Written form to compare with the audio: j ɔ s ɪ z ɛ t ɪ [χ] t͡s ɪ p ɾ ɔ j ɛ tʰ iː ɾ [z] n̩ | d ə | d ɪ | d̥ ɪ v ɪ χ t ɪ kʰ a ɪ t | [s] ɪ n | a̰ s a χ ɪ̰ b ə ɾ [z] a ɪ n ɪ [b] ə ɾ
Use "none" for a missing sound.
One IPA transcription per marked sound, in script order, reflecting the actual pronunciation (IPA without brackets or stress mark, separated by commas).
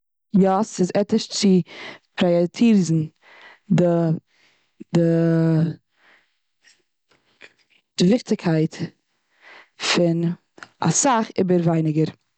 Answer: ʃ, z, f, v, ɡ